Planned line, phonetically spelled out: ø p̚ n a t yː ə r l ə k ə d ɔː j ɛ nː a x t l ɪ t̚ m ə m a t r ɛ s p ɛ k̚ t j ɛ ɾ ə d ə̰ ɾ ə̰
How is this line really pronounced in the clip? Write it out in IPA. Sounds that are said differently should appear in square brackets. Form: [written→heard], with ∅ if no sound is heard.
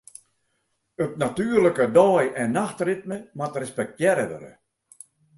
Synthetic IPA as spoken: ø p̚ n a t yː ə r l ə k ə d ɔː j ɛ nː a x t [l→r] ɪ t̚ m ə m a t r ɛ s p ɛ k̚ t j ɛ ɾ ə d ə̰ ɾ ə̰